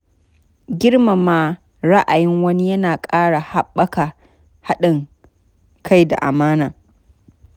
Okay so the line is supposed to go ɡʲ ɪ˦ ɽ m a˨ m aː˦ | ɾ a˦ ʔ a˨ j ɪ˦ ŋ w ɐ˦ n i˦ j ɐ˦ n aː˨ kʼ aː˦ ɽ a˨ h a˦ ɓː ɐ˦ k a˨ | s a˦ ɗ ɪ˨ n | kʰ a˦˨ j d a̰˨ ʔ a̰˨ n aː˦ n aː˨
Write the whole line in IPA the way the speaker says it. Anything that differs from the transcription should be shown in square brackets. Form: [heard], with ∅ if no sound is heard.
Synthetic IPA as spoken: ɡʲ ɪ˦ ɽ m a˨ m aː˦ | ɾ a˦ ʔ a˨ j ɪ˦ ŋ w ɐ˦ n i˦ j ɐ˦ n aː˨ kʼ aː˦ ɽ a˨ h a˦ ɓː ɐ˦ k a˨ | [h] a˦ ɗ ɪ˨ [ŋ] | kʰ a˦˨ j d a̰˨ ʔ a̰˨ [m] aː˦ n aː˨